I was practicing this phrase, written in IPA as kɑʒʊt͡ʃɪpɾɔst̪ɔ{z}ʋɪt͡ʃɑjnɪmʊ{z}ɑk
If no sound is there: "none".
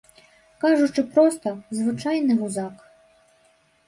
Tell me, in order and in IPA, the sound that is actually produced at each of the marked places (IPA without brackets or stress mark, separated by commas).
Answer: z, z